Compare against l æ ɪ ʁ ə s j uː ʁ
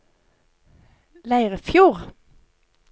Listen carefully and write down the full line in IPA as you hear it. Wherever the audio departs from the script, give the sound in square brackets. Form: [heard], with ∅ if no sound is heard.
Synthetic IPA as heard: l æ ɪ ʁ ə [f] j uː ʁ